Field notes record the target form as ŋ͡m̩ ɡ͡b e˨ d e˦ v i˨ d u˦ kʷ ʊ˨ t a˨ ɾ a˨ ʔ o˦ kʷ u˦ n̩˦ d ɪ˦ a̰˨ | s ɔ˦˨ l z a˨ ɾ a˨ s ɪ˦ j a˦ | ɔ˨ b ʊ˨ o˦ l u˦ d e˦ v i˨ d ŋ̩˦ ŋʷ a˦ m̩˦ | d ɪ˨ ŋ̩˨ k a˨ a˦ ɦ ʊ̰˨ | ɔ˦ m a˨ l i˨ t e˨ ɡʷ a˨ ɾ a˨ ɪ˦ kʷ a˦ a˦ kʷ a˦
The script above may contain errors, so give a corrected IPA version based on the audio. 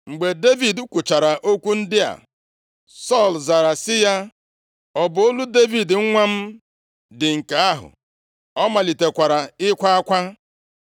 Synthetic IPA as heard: ŋ͡m̩ ɡ͡b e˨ d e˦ v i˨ d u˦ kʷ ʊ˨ t͡ʃ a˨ ɾ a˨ ʔ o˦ kʷ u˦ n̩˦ d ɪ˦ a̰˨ | s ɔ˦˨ l z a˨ ɾ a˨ s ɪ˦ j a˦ | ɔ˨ b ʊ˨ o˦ l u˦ d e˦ v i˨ d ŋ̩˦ ŋʷ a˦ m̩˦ | d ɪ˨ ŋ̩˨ k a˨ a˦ ɦ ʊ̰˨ | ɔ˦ m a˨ l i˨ t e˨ kʷ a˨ ɾ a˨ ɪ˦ kʷ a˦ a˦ kʷ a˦

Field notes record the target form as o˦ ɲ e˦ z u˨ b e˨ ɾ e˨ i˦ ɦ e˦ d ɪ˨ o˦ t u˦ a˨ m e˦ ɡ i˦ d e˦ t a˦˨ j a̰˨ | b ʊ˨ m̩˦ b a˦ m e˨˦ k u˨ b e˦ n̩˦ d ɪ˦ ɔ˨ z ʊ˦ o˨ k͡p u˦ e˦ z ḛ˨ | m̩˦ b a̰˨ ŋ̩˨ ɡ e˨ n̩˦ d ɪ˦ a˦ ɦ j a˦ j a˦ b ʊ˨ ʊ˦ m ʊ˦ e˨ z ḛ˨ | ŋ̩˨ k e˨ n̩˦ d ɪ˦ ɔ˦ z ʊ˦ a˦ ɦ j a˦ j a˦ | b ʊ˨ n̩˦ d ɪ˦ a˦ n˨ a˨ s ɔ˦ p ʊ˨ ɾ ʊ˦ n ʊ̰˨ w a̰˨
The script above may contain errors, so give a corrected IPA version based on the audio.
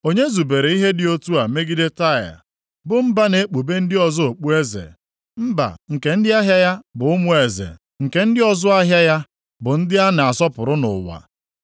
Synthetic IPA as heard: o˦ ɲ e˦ z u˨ b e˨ ɾ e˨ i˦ ɦ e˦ d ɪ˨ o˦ t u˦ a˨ m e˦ ɡ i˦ d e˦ t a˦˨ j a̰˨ | b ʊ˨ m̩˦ b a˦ n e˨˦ k͡p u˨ b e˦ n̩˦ d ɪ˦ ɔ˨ z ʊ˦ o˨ k͡p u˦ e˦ z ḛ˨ | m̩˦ b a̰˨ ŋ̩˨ k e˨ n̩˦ d ɪ˦ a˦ ɦ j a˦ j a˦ b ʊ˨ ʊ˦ m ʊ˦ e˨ z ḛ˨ | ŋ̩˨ k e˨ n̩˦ d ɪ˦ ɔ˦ z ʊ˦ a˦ ɦ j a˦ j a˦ | b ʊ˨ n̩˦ d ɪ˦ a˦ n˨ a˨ s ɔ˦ p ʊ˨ ɾ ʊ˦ n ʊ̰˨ w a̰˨

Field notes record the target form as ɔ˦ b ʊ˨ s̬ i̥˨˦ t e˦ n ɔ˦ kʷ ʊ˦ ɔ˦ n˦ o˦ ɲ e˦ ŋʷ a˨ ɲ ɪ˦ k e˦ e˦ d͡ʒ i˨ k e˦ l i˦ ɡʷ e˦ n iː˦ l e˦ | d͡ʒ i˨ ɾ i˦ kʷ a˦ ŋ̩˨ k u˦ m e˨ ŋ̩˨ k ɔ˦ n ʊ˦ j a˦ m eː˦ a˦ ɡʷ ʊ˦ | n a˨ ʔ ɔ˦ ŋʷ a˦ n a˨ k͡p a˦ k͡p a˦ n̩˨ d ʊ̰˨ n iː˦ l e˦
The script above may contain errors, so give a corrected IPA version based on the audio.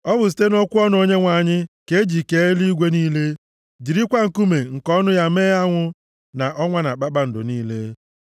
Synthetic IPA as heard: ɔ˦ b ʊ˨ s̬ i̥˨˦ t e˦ n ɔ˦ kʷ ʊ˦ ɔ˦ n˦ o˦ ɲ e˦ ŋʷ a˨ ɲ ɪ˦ k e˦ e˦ d͡ʒ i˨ k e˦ l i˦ ɡʷ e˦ n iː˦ l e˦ | d͡ʒ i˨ ɾ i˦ kʷ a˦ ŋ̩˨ k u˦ m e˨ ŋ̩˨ k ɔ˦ n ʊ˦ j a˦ m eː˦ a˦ ŋʷ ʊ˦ | n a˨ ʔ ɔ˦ ŋʷ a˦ n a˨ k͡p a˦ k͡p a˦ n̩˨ d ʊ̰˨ n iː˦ l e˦

